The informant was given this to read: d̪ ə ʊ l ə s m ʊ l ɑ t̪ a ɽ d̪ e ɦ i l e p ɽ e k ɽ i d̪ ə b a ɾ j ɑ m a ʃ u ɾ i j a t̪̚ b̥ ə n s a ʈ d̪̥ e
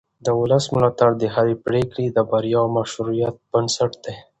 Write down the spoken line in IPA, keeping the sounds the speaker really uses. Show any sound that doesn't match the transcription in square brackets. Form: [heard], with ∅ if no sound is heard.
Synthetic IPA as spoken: d̪ ə ʊ l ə s m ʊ l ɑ t̪ a ɽ d̪ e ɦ [a] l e p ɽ e k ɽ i d̪ ə b a ɾ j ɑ m a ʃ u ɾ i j a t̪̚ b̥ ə n s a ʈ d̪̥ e

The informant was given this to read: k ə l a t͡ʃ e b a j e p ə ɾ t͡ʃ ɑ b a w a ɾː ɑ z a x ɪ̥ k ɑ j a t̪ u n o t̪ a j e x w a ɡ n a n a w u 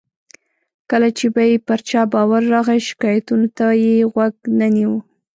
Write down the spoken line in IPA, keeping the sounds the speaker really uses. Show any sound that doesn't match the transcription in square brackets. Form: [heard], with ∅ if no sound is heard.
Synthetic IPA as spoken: k ə l a t͡ʃ e b a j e p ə ɾ t͡ʃ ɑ b [ɑ] w a ɾː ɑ [ɣ] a [ʃ] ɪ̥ k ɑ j a t̪ u n o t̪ a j e [ɣ] w a ɡ n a n [i] w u

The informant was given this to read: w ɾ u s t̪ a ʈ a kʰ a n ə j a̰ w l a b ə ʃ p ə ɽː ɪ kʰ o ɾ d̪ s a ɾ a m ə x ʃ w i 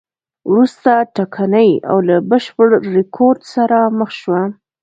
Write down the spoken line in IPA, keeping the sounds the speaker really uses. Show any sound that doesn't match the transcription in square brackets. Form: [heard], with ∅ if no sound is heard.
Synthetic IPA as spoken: w ɾ u s t̪ a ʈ a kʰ a n ə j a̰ w l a b ə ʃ p ə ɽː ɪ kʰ o ɾ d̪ s a ɾ a m ə x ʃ w [a]

